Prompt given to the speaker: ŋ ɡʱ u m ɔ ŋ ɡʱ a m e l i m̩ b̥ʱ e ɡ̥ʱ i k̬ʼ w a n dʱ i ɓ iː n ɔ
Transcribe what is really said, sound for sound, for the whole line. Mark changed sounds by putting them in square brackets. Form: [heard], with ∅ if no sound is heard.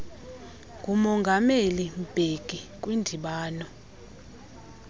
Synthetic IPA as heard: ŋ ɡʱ u m ɔ ŋ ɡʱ a m e l i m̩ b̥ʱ e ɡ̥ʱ i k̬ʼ w [i] n dʱ i ɓ [aː] n ɔ